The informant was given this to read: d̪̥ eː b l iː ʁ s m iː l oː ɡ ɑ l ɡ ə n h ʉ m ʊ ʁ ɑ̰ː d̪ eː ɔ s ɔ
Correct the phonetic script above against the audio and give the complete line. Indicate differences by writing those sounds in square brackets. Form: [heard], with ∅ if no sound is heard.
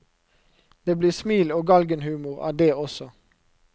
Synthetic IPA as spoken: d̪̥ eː b l iː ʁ s m iː l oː ɡ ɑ l ɡ ə n h [ʉː] m ʊ ʁ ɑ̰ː d̪ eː ɔ s ɔ